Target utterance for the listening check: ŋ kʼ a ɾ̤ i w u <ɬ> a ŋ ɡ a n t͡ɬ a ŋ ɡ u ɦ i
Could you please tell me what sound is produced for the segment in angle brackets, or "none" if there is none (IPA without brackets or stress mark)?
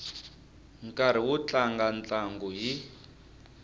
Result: t͡ɬ